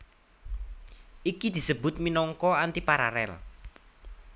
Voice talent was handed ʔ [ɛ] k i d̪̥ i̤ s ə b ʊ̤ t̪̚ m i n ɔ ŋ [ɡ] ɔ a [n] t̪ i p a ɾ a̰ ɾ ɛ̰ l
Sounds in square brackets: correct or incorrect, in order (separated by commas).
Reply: incorrect, incorrect, correct